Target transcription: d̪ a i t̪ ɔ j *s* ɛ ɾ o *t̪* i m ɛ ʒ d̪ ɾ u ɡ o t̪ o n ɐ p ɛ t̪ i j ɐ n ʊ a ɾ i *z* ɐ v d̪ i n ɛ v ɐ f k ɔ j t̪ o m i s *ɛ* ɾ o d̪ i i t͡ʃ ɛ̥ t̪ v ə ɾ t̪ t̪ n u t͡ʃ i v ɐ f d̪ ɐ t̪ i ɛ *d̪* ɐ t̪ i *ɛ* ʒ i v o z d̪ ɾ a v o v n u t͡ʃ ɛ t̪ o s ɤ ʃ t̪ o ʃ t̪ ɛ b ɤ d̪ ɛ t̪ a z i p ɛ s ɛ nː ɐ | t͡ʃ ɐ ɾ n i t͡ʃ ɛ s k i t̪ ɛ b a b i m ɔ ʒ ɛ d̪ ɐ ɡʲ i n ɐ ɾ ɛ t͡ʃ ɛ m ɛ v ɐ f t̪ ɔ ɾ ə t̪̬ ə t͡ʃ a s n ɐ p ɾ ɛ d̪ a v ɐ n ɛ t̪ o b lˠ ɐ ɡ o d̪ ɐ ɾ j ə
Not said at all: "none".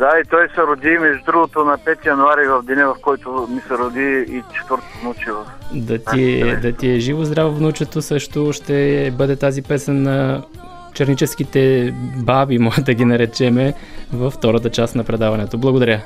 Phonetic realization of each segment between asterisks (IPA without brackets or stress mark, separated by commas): s, d̪, v, ɛ, d̪, ɛ